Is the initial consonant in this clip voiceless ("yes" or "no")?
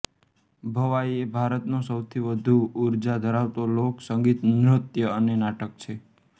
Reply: no